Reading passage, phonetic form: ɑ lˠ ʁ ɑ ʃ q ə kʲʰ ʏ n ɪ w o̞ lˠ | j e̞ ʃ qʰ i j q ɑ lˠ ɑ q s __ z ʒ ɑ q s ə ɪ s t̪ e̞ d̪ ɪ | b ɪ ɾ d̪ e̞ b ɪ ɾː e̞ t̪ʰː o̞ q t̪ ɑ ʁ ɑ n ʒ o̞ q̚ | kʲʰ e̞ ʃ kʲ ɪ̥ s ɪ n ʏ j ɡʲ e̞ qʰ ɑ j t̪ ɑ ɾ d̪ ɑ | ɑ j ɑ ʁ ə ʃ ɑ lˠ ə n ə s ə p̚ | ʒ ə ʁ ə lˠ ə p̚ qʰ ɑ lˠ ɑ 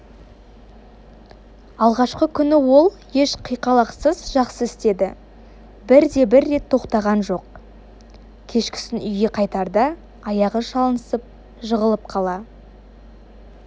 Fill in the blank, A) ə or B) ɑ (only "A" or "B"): A